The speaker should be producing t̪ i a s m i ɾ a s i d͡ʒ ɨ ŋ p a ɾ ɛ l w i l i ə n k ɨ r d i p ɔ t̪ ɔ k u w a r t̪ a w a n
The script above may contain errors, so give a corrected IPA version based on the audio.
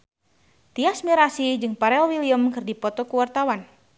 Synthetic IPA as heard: t̪ i a s m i ɾ a s i d͡ʒ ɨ ŋ p a ɾ ɛ l w i l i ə m k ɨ r d i p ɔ t̪ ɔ k u w a r t̪ a w a n